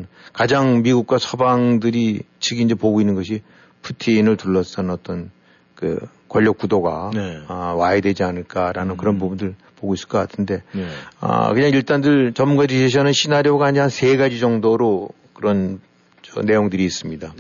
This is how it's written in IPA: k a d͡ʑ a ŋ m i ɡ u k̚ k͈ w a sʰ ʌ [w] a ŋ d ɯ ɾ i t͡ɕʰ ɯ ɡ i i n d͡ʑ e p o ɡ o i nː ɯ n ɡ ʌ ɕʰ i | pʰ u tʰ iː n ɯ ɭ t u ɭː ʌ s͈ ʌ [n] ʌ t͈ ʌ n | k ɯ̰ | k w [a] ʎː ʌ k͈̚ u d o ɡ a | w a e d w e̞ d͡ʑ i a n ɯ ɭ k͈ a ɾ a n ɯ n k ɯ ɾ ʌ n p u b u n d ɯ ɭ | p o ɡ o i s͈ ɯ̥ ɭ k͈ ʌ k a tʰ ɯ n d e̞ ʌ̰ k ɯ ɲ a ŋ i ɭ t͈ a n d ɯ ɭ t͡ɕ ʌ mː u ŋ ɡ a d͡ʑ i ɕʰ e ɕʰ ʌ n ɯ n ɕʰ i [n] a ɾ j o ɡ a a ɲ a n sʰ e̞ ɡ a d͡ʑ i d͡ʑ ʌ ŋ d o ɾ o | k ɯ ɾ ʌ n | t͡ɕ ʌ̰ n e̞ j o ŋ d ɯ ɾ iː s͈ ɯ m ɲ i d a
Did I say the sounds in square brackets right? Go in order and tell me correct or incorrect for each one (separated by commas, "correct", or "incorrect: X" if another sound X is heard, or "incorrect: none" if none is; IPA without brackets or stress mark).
incorrect: b, correct, incorrect: ʌ, correct